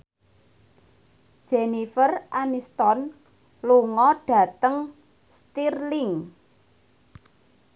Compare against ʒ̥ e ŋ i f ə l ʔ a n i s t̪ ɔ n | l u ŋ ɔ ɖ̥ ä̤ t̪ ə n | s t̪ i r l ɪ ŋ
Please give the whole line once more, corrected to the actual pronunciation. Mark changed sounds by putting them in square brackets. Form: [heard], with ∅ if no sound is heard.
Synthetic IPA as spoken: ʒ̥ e [n] i f ə [r] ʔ a n i s t̪ ɔ n | l u ŋ ɔ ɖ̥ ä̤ t̪ ə [ŋ] | s t̪ i r l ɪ ŋ